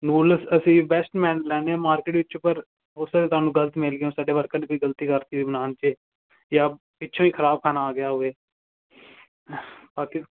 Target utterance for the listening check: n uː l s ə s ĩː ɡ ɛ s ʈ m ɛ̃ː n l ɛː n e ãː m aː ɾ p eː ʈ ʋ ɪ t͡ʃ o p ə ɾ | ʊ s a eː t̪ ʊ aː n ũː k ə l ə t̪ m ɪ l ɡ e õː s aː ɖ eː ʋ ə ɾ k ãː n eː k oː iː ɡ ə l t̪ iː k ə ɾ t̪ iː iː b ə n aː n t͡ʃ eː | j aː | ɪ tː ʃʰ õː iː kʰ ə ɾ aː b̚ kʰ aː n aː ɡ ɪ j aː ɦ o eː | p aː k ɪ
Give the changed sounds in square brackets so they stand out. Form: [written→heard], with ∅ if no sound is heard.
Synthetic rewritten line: n uː l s ə s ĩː [ɡ→b] ɛ s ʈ m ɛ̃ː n l ɛː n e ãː m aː ɾ [p→k] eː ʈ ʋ ɪ t͡ʃ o p ə ɾ | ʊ s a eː t̪ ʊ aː n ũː [k→ɡ] ə l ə t̪ m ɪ l ɡ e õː s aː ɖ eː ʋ ə ɾ k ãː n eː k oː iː ɡ ə l t̪ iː k ə ɾ t̪ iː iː b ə n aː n t͡ʃ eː | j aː | ɪ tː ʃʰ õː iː kʰ ə ɾ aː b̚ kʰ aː n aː ɡ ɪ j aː ɦ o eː | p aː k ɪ

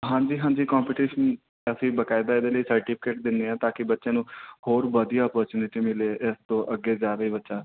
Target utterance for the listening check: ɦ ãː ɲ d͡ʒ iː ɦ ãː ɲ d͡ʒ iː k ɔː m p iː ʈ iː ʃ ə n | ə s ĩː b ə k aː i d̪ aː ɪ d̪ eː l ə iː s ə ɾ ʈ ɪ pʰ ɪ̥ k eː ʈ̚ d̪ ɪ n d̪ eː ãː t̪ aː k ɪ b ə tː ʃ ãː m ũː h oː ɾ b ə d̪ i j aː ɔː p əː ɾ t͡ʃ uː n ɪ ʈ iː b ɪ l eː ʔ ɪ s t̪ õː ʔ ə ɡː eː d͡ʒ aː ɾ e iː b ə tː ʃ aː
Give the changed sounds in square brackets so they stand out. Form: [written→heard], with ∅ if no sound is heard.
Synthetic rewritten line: ɦ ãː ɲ d͡ʒ iː ɦ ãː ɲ d͡ʒ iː k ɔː m p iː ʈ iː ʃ ə n | ə s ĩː b ə k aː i d̪ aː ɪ d̪ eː l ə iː s ə ɾ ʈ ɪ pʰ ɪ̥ k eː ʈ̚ d̪ ɪ n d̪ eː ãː t̪ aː k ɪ b ə tː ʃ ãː [m→n] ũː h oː ɾ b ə d̪ i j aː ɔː p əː ɾ t͡ʃ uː n ɪ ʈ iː [b→m] ɪ l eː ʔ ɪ s t̪ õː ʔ ə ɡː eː d͡ʒ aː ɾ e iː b ə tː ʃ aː

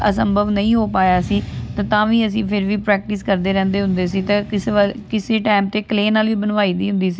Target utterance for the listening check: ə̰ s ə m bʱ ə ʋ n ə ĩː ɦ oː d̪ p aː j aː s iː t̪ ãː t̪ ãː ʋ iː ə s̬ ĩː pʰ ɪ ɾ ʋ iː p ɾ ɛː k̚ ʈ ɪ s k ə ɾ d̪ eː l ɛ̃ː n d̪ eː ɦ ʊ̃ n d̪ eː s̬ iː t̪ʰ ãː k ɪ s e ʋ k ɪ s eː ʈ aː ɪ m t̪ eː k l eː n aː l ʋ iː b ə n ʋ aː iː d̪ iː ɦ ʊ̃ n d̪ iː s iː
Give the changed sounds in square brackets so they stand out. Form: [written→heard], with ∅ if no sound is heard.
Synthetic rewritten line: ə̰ s ə m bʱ ə ʋ n ə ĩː ɦ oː [d̪→∅] p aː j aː s iː t̪ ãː t̪ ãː ʋ iː ə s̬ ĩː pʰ ɪ ɾ ʋ iː p ɾ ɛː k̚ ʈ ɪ s k ə ɾ d̪ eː [l→ɾ] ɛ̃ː n d̪ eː ɦ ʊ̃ n d̪ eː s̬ iː [t̪ʰ→t̪] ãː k ɪ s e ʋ k ɪ s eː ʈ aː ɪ m t̪ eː k l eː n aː l ʋ iː b ə n ʋ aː iː d̪ iː ɦ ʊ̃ n d̪ iː s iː

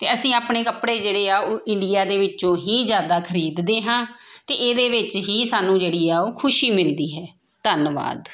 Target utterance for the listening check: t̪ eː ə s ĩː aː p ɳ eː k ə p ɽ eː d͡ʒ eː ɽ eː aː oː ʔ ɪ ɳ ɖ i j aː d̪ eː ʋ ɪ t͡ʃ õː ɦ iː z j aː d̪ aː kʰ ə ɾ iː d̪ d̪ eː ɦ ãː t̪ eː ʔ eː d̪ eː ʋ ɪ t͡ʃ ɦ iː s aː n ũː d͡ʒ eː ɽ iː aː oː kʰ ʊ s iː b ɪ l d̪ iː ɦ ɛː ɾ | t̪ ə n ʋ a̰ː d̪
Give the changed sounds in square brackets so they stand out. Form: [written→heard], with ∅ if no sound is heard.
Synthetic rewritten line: t̪ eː ə s ĩː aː p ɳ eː k ə p ɽ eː d͡ʒ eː ɽ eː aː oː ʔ ɪ ɳ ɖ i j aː d̪ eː ʋ ɪ t͡ʃ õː ɦ iː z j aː d̪ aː kʰ ə ɾ iː d̪ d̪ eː ɦ ãː t̪ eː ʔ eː d̪ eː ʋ ɪ t͡ʃ ɦ iː s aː n ũː d͡ʒ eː ɽ iː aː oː kʰ ʊ [s→ʃ] iː [b→m] ɪ l d̪ iː ɦ ɛː [ɾ→∅] | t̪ ə n ʋ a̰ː d̪

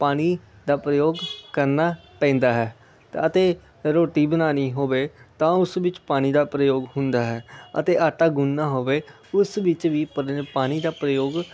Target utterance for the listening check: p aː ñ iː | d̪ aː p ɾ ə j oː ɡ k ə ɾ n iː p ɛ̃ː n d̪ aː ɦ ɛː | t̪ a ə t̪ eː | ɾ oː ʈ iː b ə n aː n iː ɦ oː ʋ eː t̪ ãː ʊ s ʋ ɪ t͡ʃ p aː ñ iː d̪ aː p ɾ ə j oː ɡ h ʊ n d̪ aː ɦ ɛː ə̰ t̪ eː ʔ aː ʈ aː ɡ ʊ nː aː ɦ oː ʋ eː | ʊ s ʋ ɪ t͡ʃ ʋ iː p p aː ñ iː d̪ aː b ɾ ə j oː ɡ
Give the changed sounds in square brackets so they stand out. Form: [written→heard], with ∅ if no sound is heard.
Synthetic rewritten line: p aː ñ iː | d̪ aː p ɾ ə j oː ɡ k ə ɾ n [iː→aː] p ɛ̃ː n d̪ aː ɦ ɛː | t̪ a ə t̪ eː | ɾ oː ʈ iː b ə n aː n iː ɦ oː ʋ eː t̪ ãː ʊ s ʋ ɪ t͡ʃ p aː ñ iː d̪ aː p ɾ ə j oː ɡ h ʊ n d̪ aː ɦ ɛː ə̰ t̪ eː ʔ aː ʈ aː ɡ ʊ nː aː ɦ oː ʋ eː | ʊ s ʋ ɪ t͡ʃ ʋ iː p p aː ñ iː d̪ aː [b→p] ɾ ə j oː ɡ

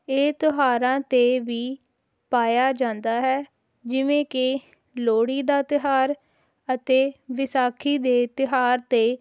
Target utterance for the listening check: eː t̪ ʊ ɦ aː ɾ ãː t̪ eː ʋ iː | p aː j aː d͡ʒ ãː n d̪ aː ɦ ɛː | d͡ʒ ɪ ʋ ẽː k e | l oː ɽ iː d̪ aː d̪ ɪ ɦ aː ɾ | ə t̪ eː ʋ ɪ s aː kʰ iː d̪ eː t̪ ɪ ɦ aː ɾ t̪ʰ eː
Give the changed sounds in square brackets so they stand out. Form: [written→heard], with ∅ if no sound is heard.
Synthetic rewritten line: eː t̪ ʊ ɦ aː ɾ ãː t̪ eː ʋ iː | p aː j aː d͡ʒ ãː n d̪ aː ɦ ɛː | d͡ʒ ɪ ʋ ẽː k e | l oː ɽ iː d̪ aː [d̪→t̪] ɪ ɦ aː ɾ | ə t̪ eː ʋ ɪ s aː kʰ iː d̪ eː t̪ ɪ ɦ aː ɾ [t̪ʰ→t̪] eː

